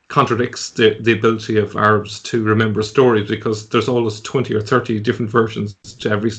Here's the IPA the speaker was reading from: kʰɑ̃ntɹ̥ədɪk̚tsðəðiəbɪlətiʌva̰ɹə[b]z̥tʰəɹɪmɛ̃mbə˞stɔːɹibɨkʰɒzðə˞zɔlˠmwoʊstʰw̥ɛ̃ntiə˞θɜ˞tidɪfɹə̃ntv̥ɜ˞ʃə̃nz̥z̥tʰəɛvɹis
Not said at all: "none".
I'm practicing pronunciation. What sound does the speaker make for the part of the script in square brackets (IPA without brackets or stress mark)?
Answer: b